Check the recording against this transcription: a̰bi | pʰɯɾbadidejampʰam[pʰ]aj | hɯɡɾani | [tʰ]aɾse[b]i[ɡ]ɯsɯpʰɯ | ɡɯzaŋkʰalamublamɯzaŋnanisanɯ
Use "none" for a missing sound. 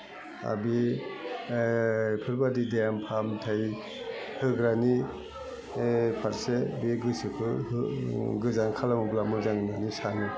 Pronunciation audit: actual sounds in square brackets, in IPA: tʰ, pʰ, b, ɡ

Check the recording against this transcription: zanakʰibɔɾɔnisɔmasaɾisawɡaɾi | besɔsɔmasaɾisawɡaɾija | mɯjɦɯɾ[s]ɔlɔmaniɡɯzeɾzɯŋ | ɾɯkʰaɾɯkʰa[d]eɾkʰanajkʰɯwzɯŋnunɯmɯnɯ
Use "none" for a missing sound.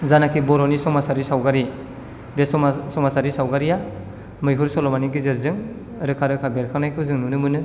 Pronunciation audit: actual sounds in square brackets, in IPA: s, b

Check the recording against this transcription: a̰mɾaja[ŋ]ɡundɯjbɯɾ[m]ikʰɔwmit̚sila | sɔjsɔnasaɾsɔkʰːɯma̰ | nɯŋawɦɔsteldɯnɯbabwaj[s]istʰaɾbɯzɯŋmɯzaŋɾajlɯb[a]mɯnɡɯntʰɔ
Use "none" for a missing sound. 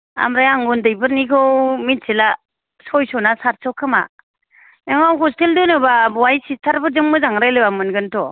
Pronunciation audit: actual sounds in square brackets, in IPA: ŋ, n, s, a

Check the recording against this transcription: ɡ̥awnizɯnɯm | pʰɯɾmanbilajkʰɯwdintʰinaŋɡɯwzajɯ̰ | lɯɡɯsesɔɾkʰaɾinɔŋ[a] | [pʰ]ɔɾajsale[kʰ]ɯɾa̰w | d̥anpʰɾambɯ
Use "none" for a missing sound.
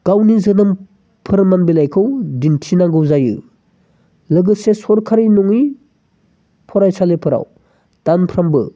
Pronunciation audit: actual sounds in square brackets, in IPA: i, pʰ, pʰ

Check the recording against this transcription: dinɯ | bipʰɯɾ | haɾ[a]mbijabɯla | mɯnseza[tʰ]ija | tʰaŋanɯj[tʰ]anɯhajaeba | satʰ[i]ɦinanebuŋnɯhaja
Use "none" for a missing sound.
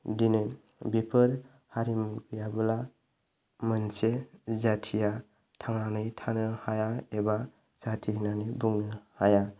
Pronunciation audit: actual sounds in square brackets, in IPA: i, tʰ, tʰ, i

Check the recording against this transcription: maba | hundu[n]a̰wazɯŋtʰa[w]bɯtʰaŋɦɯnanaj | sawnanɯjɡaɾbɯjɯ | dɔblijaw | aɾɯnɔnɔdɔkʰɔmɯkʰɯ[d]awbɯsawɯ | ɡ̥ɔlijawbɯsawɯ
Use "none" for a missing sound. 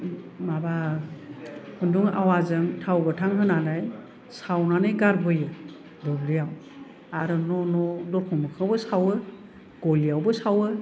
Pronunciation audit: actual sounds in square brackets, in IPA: ŋ, w, none

